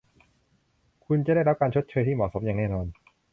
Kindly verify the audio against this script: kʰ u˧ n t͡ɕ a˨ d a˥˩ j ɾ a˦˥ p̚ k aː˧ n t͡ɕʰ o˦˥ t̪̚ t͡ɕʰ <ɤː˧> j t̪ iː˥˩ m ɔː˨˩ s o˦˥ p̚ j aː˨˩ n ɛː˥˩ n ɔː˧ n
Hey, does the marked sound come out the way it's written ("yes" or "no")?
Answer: yes